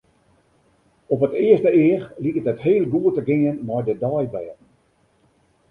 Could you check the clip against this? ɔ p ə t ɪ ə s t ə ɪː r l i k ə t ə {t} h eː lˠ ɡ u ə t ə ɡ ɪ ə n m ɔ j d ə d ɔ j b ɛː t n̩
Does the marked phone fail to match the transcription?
no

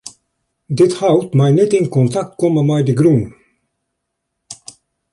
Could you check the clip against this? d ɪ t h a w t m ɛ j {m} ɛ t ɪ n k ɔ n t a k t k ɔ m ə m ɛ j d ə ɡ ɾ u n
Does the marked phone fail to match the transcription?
yes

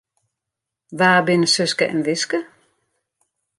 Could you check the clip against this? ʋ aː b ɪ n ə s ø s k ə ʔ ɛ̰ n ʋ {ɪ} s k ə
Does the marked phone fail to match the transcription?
no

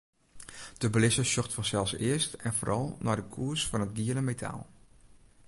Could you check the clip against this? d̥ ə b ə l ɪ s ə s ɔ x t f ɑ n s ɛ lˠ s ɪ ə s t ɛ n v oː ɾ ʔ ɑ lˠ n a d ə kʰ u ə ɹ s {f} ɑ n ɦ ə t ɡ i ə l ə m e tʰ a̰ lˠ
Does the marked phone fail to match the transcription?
no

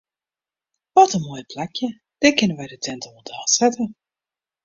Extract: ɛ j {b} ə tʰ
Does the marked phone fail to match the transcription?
yes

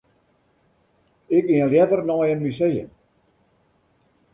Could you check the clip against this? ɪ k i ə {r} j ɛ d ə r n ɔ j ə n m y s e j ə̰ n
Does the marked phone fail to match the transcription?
yes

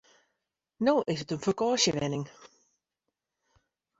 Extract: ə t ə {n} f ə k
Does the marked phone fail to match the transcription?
no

